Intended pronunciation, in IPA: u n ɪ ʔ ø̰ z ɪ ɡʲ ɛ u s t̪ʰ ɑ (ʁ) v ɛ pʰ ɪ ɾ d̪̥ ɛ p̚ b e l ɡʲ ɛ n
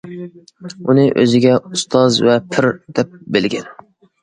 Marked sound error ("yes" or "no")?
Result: yes